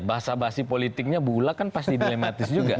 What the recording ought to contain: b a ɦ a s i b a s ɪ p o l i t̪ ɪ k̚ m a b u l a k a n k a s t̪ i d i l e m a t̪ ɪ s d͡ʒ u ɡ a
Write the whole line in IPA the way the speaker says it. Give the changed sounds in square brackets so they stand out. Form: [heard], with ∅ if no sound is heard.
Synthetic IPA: b a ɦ a s [a] b a s [i] p o l i t̪ ɪ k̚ [ɲ] a b u l a k a n [p] a s t̪ i d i l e m a t̪ ɪ s d͡ʒ u ɡ a